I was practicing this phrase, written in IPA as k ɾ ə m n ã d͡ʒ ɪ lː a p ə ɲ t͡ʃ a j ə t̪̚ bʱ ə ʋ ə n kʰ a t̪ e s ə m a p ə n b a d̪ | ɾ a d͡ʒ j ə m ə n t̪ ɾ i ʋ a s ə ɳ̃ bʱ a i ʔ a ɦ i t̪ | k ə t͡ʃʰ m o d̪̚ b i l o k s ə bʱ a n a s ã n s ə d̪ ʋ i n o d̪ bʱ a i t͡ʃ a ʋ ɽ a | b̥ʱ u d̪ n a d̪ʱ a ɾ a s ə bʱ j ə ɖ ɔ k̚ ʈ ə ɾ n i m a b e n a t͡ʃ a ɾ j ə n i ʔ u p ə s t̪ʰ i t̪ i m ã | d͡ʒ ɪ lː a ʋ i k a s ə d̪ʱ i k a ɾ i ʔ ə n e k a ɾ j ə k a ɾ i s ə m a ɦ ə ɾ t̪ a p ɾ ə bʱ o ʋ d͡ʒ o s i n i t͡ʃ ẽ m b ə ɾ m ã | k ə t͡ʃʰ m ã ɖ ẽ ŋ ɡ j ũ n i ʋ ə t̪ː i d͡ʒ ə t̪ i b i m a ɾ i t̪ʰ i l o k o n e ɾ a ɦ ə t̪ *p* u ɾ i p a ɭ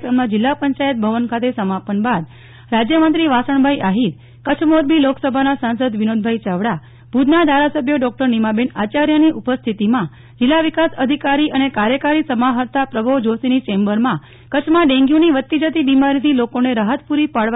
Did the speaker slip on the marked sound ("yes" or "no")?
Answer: no